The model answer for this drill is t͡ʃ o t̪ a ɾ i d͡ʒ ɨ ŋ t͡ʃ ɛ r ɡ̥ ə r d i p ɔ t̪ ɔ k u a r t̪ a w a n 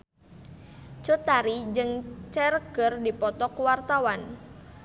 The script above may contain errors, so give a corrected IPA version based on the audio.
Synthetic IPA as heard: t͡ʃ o t̪ a ɾ i d͡ʒ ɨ ŋ t͡ʃ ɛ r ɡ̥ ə r d i p ɔ t̪ ɔ k w a r t̪ a w a n